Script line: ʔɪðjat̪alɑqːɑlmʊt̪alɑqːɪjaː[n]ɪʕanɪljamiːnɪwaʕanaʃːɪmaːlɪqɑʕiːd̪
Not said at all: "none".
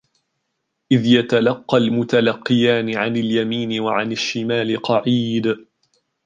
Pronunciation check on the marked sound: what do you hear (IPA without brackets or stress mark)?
n